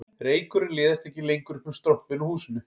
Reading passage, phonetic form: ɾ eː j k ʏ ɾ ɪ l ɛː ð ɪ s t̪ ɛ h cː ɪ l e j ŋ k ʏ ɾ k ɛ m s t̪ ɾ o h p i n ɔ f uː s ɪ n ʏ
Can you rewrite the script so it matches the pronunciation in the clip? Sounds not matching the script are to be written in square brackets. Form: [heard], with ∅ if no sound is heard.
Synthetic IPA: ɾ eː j k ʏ ɾ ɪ l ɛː ð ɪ s t̪ ɛ h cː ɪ l e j ŋ k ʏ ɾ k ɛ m s t̪ ɾ o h p [ɪ] n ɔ [h] uː s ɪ n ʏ